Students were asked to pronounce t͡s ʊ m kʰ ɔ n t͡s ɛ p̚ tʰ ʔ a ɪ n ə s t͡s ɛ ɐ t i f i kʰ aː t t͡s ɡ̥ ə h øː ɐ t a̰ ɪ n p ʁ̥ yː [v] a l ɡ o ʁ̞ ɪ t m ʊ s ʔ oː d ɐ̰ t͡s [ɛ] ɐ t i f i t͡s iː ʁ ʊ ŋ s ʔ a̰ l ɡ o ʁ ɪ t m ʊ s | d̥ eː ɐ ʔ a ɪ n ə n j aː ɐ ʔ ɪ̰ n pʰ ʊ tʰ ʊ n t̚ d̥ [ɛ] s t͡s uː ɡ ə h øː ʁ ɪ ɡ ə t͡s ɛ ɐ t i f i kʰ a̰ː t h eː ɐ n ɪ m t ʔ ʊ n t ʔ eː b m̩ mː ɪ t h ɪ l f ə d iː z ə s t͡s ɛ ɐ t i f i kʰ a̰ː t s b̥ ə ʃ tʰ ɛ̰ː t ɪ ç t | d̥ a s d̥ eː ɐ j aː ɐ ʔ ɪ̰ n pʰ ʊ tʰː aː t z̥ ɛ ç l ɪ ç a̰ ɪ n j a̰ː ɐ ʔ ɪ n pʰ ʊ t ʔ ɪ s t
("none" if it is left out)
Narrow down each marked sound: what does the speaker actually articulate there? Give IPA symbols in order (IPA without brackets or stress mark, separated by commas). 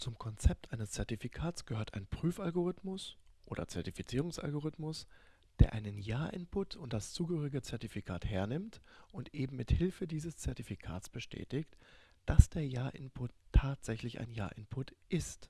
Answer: f, ɛ, a